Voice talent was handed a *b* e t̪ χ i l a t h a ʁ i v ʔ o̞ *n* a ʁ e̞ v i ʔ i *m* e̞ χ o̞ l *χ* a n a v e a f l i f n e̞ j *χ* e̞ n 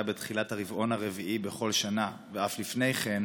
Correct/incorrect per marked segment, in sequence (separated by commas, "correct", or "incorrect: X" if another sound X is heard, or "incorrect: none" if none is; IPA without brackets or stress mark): correct, correct, incorrect: b, incorrect: ʃ, correct